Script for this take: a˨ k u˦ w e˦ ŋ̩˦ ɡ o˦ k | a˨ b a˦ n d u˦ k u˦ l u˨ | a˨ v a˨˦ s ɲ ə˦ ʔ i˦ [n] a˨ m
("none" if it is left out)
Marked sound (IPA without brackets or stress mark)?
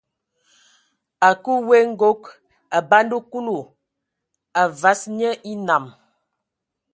n